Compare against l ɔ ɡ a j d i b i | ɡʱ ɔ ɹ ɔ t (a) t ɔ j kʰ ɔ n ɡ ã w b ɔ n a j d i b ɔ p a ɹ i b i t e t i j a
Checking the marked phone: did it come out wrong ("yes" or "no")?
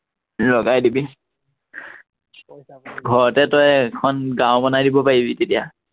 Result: yes